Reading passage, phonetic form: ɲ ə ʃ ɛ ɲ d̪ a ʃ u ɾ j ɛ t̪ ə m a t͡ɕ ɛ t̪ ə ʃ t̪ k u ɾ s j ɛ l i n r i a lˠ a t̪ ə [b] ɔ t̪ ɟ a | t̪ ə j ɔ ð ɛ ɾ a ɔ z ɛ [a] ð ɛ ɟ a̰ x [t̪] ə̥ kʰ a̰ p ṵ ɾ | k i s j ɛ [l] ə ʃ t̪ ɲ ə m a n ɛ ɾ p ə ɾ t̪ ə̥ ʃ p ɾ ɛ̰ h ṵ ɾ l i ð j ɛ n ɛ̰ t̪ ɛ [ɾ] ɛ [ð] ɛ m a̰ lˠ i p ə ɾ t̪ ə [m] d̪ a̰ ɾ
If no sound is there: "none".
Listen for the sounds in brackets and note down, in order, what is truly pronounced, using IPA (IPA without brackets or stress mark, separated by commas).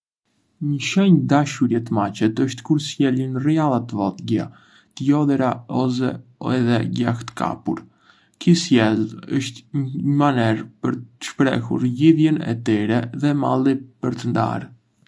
v, ɛ, t̪, l, ɾ, ð, n